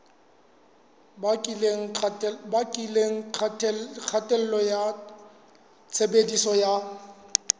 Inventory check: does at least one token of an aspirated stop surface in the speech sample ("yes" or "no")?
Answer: yes